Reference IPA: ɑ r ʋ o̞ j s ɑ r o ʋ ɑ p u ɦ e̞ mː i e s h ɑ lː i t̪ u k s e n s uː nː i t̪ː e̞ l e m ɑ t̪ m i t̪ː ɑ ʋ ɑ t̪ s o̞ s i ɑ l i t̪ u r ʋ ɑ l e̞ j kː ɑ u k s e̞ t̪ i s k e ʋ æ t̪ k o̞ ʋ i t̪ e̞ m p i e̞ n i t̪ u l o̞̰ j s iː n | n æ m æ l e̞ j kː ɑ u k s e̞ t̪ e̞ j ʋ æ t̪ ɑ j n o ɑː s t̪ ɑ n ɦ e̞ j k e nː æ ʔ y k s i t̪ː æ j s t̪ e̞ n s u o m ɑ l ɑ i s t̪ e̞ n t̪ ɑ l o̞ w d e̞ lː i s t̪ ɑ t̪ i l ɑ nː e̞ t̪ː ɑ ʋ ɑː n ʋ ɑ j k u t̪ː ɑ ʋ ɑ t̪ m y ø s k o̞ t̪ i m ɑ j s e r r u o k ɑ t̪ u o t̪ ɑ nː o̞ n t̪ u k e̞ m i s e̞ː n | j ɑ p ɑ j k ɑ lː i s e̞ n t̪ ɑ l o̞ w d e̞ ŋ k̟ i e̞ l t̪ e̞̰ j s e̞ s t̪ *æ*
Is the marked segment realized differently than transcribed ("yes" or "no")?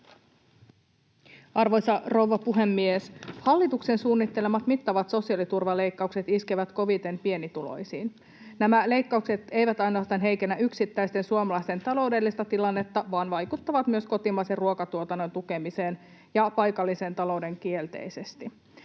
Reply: yes